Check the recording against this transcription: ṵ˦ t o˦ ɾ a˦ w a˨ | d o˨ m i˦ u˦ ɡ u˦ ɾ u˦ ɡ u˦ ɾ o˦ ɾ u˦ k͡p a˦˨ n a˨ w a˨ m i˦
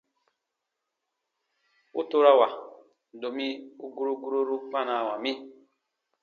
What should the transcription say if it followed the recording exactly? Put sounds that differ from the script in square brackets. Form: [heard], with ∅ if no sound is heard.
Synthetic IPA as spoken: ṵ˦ t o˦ ɾ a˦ w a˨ | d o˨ m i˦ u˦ ɡ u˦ ɾ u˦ ɡ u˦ ɾ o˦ ɾ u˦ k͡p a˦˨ n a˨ w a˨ m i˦